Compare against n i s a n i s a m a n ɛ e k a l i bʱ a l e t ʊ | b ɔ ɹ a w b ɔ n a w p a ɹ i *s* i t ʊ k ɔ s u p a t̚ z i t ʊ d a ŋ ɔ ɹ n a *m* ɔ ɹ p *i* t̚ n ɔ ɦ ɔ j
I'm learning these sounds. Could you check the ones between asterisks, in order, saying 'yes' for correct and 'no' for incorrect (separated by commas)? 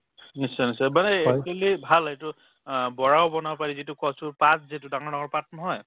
no, no, no